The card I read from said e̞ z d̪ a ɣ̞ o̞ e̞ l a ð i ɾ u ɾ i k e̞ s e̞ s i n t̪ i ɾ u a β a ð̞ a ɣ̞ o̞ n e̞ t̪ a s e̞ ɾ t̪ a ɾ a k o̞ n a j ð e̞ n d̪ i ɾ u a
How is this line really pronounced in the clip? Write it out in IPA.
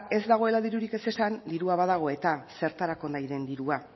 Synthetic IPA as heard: e̞ z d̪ a ɣ̞ o̞ e̞ l a ð i ɾ u ɾ i k e̞ s e̞ s a n d̪ i ɾ u a β a ð̞ a ɣ̞ o̞ e̞ t̪ a s e̞ ɾ t̪ a ɾ a k o̞ n a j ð e̞ n d̪ i ɾ u a